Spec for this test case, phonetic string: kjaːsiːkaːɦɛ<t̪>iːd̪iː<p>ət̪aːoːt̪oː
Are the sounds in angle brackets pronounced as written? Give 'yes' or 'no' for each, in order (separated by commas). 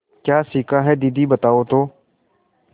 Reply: no, no